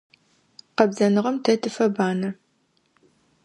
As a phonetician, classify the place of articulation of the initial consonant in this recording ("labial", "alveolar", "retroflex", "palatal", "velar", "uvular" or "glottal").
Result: uvular